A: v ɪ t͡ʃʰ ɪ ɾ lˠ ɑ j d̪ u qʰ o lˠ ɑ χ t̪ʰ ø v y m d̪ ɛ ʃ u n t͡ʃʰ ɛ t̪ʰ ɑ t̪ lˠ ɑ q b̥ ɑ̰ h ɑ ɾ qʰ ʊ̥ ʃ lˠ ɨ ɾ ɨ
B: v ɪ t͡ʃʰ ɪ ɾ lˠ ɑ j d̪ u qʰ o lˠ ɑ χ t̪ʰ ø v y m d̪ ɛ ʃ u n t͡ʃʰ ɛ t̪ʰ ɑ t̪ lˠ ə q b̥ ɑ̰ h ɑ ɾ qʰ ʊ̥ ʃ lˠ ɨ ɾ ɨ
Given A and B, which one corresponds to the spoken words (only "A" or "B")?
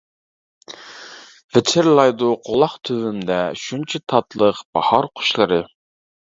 B